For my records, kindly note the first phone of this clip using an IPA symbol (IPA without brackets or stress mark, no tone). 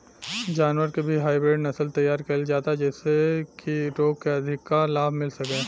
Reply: d͡ʒ